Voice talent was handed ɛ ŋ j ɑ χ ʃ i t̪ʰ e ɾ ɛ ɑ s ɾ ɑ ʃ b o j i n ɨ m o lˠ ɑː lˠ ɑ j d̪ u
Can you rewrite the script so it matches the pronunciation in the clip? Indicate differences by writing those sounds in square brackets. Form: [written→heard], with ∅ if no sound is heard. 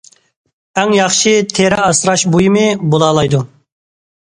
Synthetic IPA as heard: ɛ ŋ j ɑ χ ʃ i t̪ʰ e ɾ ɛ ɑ s ɾ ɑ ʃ b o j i [n→m] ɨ [m→b] o lˠ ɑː lˠ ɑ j d̪ u